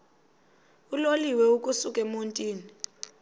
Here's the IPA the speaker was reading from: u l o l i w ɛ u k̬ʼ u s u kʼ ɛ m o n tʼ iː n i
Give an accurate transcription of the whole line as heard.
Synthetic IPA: u l o l i w ɛ u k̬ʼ u s u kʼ ɛ m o n tʼ iː n i